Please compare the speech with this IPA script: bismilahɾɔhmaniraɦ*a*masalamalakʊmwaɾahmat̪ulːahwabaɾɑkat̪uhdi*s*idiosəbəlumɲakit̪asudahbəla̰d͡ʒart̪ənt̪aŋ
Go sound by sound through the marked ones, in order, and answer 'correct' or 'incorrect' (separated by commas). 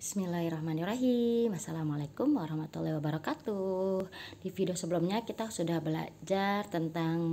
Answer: incorrect, incorrect